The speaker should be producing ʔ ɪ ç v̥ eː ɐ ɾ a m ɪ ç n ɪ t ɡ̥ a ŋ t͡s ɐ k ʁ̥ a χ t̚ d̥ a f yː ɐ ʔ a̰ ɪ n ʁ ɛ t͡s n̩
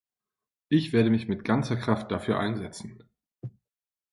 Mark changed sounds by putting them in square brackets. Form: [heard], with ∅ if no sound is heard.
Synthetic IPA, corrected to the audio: ʔ ɪ ç v̥ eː ɐ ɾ [ə] m ɪ ç [m] ɪ t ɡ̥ a [n] t͡s ɐ k ʁ̥ a [f] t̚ d̥ a f yː ɐ ʔ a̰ ɪ n [z] ɛ t͡s n̩